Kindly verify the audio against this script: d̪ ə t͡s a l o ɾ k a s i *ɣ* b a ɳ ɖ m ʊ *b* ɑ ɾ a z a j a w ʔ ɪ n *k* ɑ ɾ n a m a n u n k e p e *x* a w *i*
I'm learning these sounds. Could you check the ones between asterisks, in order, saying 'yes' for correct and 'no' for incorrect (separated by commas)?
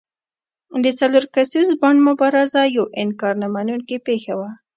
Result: no, yes, yes, yes, no